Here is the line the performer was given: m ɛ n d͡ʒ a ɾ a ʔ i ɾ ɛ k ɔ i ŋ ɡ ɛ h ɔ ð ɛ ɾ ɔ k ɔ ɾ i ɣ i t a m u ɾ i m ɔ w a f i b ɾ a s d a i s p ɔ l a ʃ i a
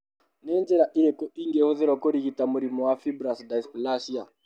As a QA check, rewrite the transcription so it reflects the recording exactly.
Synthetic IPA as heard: n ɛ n d͡ʒ ɛ ɾ a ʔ i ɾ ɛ k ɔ i ŋ ɡ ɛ h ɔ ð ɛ ɾ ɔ k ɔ ɾ i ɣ i t a m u ɾ i m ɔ w a f i b ɾ a s d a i s p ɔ l a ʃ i a